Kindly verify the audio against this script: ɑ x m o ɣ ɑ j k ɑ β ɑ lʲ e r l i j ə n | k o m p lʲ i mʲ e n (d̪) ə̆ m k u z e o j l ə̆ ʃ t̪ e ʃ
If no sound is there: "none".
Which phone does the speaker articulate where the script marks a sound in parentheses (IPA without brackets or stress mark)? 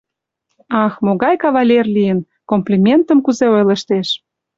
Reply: t̪